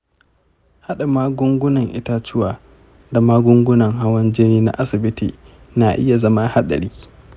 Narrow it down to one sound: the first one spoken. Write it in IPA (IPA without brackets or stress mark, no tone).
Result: h